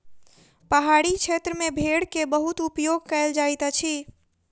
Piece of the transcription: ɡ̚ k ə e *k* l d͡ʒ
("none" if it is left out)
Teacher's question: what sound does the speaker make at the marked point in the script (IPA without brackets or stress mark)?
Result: none